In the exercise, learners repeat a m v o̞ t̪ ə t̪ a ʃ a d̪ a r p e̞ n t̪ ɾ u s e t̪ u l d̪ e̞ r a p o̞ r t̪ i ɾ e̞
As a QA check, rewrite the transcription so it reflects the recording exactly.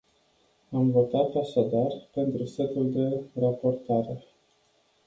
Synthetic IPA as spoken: a m v o̞ t̪ a t̪ a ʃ a d̪ a r p e̞ n t̪ ɾ u s e t̪ u l d̪ e̞ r a p o̞ r t̪ a ɾ e̞